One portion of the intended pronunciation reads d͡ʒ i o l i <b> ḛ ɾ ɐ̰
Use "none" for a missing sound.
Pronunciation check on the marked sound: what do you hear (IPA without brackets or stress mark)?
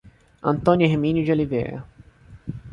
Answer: v